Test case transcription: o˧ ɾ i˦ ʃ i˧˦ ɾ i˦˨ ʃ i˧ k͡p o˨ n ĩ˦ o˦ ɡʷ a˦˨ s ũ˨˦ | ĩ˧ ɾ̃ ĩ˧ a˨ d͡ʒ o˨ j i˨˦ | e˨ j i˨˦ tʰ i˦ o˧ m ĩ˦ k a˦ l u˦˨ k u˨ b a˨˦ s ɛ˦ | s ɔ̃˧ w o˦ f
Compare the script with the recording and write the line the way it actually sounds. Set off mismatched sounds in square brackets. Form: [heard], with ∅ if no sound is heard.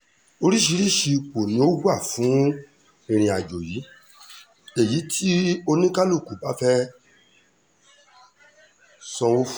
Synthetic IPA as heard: o˧ ɾ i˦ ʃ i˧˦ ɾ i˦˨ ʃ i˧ k͡p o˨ n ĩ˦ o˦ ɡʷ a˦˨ [f] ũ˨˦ | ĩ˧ ɾ̃ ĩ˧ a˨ d͡ʒ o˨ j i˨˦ | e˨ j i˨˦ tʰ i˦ o˧ [n] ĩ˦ k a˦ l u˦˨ k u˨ b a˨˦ [f] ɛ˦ | s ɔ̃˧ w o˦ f